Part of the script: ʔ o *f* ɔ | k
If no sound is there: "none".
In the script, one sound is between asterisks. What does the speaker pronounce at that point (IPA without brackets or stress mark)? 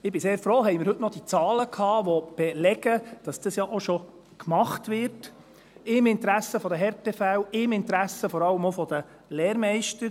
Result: ʃ